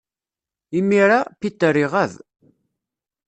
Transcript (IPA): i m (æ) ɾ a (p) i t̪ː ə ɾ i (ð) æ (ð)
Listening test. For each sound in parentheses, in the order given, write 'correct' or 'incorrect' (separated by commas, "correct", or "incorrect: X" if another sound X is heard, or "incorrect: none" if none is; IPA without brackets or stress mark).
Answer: incorrect: i, correct, incorrect: ʁ, correct